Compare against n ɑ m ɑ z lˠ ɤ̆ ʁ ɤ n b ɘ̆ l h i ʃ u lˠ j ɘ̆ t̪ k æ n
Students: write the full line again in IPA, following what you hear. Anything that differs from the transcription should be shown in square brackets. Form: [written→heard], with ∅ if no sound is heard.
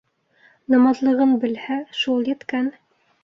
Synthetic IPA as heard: n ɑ m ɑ z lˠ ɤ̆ ʁ ɤ n b ɘ̆ l h [i→æ] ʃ u lˠ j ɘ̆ t̪ k æ n